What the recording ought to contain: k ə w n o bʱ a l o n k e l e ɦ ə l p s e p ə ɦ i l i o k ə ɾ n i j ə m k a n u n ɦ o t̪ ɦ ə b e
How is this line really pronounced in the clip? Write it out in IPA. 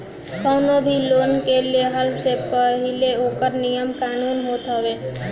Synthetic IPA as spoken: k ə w n o bʱ i l o n k e l e ɦ ə l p s e p ə ɦ i l e o k ə ɾ n i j ə m k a n u n ɦ o t̪ ɦ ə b e